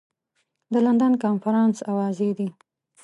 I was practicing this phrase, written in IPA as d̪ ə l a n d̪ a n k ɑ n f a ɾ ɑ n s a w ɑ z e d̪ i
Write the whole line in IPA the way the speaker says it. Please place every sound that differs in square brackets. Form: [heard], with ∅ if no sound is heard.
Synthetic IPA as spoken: d̪ ə l a n d̪ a n k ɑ n f a ɾ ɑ n s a w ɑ z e d̪ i